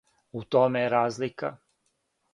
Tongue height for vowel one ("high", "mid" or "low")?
high